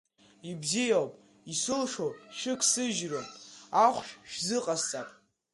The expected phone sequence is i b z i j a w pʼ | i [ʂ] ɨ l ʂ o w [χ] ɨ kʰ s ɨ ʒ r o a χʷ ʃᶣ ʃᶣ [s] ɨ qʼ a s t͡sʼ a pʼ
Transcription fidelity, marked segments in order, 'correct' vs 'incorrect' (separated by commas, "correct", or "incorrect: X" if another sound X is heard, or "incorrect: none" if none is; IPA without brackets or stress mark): incorrect: s, incorrect: ʃ, incorrect: z